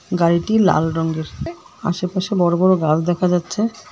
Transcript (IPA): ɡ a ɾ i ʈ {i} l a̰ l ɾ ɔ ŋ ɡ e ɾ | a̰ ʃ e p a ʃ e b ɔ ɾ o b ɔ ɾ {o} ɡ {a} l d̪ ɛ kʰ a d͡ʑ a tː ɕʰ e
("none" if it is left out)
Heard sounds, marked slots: i, o, a

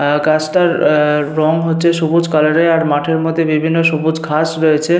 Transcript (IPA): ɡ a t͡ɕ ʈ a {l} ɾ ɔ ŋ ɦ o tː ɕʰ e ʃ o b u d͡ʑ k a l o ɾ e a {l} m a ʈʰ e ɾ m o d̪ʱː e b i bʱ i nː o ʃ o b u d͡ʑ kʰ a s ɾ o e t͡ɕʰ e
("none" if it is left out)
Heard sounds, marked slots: ɾ, ɾ

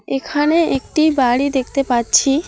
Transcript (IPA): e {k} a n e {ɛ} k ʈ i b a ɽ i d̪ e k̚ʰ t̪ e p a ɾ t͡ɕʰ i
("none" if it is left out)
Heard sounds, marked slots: kʰ, e

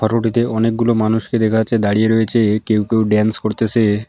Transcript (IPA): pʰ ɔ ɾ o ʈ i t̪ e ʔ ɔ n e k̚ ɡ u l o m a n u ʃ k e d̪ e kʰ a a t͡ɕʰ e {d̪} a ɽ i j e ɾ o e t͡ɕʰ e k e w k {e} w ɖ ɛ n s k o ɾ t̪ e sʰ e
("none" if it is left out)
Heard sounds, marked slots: d̪, e

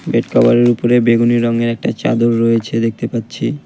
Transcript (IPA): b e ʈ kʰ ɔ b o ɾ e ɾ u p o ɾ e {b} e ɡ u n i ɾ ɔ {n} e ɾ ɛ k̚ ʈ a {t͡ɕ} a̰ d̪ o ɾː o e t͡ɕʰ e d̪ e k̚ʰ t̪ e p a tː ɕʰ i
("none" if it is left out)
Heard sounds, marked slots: b, ŋ, t͡ɕ

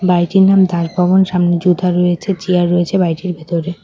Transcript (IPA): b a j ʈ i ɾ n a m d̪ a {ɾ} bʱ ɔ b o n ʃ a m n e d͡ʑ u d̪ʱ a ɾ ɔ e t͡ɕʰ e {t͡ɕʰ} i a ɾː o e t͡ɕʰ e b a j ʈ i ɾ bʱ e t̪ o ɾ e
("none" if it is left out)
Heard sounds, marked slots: ɾ, t͡ɕ

